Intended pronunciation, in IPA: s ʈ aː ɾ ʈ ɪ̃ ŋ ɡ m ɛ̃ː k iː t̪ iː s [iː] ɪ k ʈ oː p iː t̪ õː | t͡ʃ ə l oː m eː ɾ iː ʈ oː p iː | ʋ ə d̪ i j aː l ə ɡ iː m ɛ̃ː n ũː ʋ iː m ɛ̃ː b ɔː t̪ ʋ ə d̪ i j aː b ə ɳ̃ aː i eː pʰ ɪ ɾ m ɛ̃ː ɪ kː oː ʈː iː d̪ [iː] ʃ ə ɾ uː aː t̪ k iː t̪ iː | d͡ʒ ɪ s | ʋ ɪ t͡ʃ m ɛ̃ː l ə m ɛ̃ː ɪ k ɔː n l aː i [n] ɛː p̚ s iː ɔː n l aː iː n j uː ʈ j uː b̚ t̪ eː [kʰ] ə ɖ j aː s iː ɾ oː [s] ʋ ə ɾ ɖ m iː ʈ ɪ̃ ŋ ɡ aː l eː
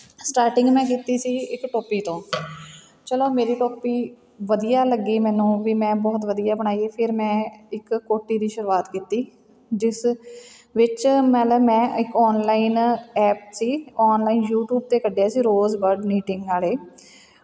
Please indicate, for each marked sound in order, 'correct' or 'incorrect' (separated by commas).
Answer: correct, correct, correct, incorrect, incorrect